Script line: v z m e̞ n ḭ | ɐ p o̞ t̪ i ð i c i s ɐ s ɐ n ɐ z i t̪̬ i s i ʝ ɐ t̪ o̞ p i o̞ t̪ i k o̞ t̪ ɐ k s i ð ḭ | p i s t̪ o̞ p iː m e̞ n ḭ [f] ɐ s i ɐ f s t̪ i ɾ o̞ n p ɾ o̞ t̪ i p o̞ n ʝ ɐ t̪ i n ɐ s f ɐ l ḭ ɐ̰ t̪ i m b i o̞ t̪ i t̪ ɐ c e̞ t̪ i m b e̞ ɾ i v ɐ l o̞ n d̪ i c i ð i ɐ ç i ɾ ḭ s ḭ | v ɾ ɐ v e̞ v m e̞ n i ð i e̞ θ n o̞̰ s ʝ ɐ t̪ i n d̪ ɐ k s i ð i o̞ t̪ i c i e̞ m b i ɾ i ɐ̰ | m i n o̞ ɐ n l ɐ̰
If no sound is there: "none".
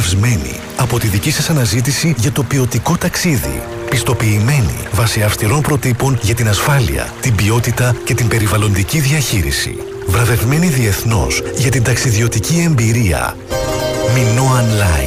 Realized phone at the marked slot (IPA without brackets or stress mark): v